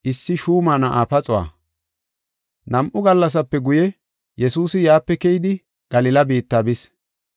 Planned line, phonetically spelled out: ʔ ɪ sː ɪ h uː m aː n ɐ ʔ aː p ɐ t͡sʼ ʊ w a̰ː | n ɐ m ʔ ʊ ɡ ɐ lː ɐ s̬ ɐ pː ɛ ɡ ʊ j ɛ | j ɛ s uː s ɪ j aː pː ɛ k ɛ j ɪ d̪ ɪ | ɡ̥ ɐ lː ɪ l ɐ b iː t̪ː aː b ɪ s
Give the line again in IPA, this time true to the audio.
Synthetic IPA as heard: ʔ ɪ sː ɪ ʃ uː m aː n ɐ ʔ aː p ɐ t͡sʼ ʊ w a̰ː | n ɐ m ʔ ʊ ɡ ɐ lː ɐ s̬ ɐ pː ɛ ɡ ʊ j ɛ | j ɛ s uː s ɪ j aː pː ɛ k ɛ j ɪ d̪ ɪ | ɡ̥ ɐ l ɪ l ɐ b iː t̪ː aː b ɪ s